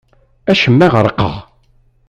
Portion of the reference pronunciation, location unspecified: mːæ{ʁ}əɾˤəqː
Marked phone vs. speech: correct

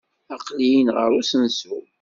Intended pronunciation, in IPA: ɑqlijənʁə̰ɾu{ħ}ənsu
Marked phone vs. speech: incorrect: s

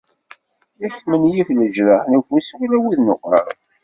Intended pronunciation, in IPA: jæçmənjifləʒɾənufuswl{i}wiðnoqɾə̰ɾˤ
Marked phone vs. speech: incorrect: æ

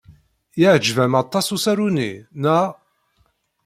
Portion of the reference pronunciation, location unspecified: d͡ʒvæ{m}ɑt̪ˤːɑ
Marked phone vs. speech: correct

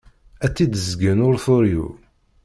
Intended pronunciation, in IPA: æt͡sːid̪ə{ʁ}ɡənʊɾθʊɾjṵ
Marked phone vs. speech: incorrect: z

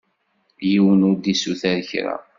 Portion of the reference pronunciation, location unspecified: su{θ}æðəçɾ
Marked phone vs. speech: correct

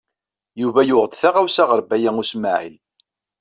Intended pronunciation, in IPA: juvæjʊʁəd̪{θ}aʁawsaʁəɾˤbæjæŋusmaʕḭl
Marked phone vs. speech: correct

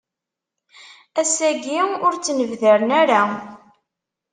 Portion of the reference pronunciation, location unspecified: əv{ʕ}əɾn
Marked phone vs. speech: incorrect: ð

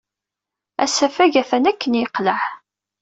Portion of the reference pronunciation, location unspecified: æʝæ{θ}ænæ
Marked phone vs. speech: correct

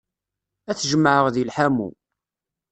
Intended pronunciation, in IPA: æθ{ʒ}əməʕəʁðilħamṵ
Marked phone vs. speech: correct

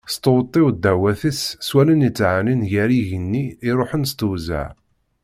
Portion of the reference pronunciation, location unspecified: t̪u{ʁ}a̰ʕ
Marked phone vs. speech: incorrect: z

